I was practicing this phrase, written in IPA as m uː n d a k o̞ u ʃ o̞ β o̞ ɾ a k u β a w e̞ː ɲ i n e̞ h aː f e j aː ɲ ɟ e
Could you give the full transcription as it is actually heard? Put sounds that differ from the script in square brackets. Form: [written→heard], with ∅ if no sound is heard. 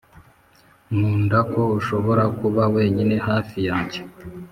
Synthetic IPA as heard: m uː n d a k o̞ u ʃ o̞ β o̞ ɾ a k u β a w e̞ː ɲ i n e̞ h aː f [e→i] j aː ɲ ɟ e